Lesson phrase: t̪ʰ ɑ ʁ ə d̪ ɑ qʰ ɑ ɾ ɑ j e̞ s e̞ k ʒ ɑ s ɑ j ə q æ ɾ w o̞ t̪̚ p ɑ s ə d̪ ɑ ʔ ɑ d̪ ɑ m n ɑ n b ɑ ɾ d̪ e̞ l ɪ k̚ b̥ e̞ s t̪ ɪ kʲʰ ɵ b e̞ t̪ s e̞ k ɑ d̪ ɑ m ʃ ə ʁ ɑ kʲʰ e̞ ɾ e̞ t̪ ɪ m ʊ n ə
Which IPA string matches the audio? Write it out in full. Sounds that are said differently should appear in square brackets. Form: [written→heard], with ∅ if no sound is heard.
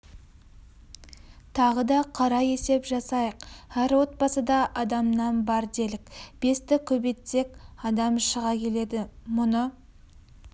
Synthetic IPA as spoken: t̪ʰ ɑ ʁ ə d̪ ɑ qʰ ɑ ɾ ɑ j e̞ s e̞ [k→p] ʒ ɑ s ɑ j ə q æ ɾ w o̞ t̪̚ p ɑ s ə d̪ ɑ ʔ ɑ d̪ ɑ m n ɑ n b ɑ ɾ d̪ e̞ l ɪ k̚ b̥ e̞ s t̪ ɪ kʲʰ ɵ b e̞ t̪ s e̞ k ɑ d̪ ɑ m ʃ ə ʁ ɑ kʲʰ e̞ [ɾ→l] e̞ [t̪→d̪] ɪ m ʊ n ə